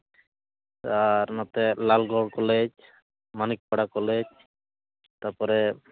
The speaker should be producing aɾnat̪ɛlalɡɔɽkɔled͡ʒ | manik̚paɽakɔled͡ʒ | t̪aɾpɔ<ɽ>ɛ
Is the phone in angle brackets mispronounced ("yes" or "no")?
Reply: yes